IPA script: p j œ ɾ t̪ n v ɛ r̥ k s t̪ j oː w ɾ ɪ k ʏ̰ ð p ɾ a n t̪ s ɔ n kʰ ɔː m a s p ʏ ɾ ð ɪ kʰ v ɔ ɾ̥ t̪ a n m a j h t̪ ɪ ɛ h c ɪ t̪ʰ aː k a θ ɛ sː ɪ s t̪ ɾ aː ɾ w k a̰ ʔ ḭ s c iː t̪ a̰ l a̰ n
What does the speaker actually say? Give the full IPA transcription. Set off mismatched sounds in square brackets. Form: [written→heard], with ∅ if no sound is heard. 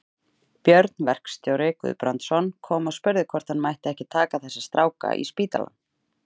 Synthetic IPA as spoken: p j œ ɾ t̪ n v ɛ r̥ k s t̪ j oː w ɾ ɪ k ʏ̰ ð p ɾ a n t̪ s ɔ n kʰ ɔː m a s p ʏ ɾ ð ɪ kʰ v ɔ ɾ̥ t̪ a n m a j h t̪ ɪ ɛ h c ɪ t̪ʰ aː k a θ ɛ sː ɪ s t̪ ɾ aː [ɾ→∅] w k a̰ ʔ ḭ s [c→p] iː t̪ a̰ l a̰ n